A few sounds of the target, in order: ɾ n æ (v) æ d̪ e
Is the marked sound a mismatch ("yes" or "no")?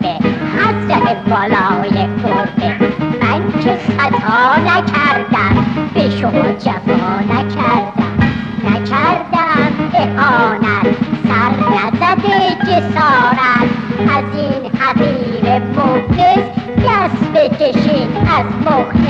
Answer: yes